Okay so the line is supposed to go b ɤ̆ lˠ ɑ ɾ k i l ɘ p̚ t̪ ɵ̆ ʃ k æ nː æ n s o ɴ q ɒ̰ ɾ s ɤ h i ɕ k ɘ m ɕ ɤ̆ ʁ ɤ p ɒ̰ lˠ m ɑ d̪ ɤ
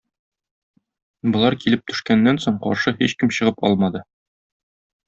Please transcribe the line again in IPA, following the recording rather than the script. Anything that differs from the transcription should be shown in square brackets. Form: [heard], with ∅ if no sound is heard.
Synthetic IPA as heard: b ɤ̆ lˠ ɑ ɾ k i l ɘ p̚ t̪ ɵ̆ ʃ k æ nː æ n s o ɴ q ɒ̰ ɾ [ʃ] ɤ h i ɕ k ɘ m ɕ ɤ̆ ʁ ɤ p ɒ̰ lˠ m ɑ d̪ ɤ